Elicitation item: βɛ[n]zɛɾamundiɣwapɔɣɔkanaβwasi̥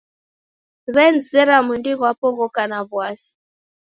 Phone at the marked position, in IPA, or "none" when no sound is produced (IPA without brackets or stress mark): n